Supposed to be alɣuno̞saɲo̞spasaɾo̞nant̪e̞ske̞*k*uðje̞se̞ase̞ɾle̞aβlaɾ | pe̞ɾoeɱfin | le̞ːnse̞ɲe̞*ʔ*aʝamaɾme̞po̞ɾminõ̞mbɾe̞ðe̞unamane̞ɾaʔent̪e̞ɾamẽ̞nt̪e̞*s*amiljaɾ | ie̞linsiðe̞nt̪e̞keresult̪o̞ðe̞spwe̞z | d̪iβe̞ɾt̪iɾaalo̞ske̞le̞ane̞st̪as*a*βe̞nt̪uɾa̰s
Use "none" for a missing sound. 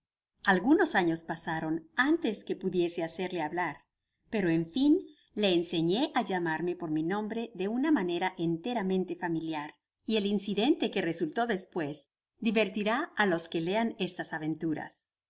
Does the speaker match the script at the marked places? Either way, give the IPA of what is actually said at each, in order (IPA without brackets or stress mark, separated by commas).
p, ʔ, f, a